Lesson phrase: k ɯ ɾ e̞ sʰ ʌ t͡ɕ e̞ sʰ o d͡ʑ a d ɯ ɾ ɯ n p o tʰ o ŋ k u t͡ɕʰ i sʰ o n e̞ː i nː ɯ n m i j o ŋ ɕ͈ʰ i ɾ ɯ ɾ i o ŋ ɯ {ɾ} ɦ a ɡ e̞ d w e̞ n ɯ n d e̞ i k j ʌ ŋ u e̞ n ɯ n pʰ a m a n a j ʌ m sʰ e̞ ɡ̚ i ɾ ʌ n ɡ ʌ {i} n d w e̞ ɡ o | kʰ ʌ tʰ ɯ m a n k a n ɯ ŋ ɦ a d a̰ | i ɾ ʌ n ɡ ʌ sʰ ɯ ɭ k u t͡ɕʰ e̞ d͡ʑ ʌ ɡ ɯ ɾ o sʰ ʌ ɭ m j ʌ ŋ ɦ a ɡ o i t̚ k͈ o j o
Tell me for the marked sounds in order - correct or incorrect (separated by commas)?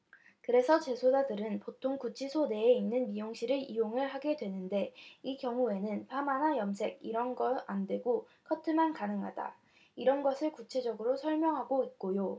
incorrect, incorrect